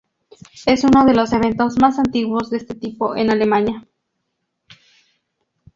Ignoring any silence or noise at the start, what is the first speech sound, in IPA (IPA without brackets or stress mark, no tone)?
e